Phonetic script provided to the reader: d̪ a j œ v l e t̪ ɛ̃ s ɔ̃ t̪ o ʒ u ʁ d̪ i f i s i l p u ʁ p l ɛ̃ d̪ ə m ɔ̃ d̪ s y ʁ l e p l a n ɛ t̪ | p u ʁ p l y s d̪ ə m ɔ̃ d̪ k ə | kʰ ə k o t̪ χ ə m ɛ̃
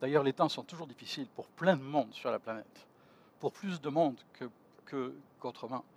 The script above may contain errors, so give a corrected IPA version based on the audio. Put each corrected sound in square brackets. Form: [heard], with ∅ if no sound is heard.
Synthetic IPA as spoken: d̪ a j œ [ʁ] l e t̪ ɛ̃ s ɔ̃ t̪ [u] ʒ u ʁ d̪ i f i s i l p u ʁ p l ɛ̃ d̪ ə m ɔ̃ d̪ s y ʁ l [a] p l a n ɛ t̪ | p u ʁ p l y s d̪ ə m ɔ̃ d̪ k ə | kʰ ə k o t̪ χ ə m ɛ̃